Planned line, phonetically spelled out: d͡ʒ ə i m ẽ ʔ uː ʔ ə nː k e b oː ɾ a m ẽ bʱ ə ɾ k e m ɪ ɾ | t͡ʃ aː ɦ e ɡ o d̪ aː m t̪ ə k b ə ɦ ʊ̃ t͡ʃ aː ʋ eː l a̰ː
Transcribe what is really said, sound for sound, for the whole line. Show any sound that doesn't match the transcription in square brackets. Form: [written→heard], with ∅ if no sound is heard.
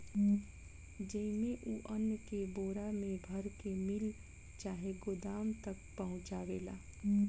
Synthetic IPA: d͡ʒ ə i m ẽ ʔ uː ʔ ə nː k e b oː ɾ a m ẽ bʱ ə ɾ k e m ɪ [ɾ→l] | t͡ʃ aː ɦ e ɡ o d̪ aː m t̪ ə k [b→p] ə ɦ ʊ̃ t͡ʃ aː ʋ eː l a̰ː

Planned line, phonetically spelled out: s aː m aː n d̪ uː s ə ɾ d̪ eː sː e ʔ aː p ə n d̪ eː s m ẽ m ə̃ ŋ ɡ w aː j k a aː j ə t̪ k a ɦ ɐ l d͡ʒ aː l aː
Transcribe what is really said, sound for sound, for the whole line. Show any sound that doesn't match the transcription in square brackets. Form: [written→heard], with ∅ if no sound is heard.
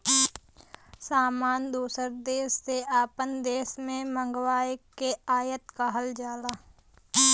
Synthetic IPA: s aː m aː n d̪ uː s ə ɾ d̪ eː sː e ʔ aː p ə n d̪ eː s m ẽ m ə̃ ŋ ɡ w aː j k [a→e] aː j ə t̪ k a ɦ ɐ l d͡ʒ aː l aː

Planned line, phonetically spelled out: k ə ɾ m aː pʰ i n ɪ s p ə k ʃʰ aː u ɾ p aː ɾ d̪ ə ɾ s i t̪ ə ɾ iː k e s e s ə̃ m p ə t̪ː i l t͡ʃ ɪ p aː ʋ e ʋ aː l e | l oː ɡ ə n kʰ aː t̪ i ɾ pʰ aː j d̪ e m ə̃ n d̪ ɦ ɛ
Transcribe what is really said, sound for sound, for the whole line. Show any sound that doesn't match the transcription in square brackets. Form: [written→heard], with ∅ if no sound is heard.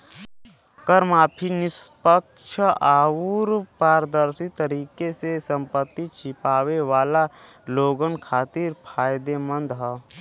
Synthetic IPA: k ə ɾ m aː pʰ i n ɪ s p ə k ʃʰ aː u ɾ p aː ɾ d̪ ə ɾ s i t̪ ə ɾ iː k e s e s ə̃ m p ə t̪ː i [l→∅] t͡ʃ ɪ p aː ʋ e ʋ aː l [e→a] | l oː ɡ ə n kʰ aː t̪ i ɾ pʰ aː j d̪ e m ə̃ n d̪ ɦ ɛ

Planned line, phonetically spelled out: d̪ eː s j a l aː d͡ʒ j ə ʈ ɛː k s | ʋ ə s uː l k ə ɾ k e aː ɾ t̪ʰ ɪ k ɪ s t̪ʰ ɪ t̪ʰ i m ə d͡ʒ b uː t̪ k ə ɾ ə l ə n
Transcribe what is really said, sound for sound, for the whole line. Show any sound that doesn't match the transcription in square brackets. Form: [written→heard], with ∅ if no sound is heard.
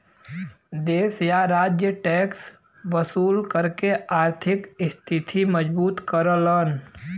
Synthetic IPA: d̪ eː s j a [l→ɾ] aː d͡ʒ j ə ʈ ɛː k s | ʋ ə s uː l k ə ɾ k e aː ɾ t̪ʰ ɪ k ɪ s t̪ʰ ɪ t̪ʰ i m ə d͡ʒ b uː t̪ k ə ɾ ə l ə n

